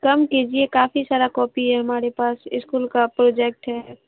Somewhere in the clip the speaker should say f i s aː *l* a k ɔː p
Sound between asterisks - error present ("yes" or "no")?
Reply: yes